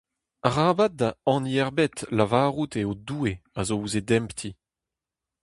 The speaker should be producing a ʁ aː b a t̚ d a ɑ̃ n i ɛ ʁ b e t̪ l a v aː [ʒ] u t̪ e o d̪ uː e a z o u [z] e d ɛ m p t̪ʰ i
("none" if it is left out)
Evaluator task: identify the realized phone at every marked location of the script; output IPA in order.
ʁ, z

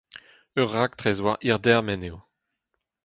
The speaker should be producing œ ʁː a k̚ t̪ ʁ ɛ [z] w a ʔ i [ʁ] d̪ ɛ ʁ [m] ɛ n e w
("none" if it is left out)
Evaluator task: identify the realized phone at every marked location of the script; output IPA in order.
z, ʁ, m

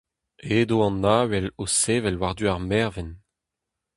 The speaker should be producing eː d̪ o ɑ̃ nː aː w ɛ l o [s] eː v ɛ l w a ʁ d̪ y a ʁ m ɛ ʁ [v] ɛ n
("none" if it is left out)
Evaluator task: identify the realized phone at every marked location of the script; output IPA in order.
s, v

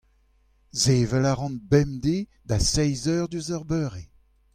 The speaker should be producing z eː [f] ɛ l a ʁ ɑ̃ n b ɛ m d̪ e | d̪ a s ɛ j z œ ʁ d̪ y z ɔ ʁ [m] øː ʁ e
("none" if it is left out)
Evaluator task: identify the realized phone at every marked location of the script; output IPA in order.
v, b

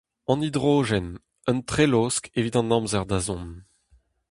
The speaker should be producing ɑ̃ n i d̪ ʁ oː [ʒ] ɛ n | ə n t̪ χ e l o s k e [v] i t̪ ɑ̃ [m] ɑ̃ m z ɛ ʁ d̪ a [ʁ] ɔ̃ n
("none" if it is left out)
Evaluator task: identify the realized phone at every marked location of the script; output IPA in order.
ʒ, v, n, z

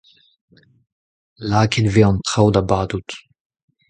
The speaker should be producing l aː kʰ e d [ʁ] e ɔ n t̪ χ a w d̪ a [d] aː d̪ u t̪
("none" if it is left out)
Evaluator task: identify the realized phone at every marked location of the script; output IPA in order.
v, b

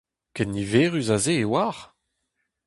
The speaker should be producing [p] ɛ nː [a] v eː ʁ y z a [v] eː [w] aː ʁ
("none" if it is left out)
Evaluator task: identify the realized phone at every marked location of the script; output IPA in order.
k, i, z, w

